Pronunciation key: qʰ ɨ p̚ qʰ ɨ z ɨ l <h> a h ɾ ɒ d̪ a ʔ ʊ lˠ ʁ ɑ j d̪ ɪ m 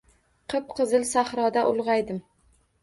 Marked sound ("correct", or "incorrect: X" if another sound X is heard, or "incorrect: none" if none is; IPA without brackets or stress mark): incorrect: s